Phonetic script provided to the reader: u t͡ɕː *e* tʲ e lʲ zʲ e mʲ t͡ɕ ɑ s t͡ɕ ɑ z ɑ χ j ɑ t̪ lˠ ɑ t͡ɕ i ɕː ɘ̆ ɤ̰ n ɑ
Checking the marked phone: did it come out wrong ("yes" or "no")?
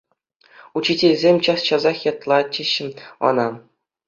yes